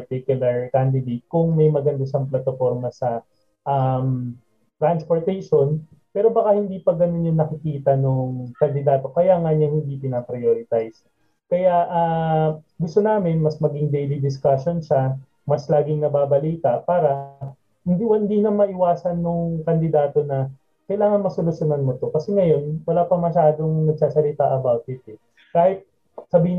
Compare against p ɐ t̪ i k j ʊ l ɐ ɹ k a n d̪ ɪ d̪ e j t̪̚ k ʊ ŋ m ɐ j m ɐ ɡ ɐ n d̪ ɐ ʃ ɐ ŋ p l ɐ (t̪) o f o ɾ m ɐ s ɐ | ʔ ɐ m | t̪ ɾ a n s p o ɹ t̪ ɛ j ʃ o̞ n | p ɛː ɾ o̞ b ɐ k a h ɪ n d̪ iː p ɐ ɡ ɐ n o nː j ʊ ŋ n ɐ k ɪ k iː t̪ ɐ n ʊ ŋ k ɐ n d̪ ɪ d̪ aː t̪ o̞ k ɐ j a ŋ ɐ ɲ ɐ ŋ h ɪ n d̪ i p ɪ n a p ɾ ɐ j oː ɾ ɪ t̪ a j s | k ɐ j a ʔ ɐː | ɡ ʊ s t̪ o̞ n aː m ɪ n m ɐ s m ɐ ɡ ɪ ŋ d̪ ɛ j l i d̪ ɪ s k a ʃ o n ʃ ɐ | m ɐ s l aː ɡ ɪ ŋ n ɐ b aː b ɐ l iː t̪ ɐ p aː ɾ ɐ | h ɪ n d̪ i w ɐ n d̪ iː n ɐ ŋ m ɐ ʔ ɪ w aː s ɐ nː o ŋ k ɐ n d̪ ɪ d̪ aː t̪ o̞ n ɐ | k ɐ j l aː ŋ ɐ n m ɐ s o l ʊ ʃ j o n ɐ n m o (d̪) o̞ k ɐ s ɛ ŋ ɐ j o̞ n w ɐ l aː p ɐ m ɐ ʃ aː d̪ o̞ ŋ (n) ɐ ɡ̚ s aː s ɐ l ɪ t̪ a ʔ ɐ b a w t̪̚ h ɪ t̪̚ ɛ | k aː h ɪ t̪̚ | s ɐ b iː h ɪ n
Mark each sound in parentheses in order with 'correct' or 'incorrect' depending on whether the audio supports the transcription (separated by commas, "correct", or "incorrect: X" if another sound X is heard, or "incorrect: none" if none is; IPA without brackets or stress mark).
correct, incorrect: t̪, correct